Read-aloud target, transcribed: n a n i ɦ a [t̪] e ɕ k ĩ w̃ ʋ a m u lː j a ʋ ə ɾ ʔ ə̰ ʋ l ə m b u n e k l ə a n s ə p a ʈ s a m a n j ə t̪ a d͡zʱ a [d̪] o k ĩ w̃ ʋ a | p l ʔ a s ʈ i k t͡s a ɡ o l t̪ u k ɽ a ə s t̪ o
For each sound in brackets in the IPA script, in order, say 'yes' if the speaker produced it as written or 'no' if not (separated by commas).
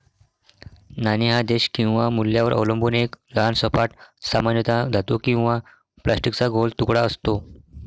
no, no